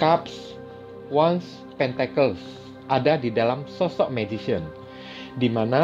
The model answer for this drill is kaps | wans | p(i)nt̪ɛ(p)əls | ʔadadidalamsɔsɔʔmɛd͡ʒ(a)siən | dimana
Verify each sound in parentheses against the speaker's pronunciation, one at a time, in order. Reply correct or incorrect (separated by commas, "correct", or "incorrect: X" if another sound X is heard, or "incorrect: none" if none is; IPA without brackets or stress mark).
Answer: incorrect: ɛ, incorrect: k, incorrect: i